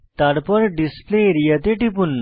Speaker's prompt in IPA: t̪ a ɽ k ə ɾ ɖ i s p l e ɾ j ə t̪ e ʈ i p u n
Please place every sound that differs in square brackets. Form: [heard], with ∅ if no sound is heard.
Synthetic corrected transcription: t̪ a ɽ [p] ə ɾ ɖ i s p l e ɾ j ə t̪ e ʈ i p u n